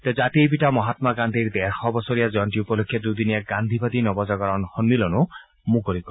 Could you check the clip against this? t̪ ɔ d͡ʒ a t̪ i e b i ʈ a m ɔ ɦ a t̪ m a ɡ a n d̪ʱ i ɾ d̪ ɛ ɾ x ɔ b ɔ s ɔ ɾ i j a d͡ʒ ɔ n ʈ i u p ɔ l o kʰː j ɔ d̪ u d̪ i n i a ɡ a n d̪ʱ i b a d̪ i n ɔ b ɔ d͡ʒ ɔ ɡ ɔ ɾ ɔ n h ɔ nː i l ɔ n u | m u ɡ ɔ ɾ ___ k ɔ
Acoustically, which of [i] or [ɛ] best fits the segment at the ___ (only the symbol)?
i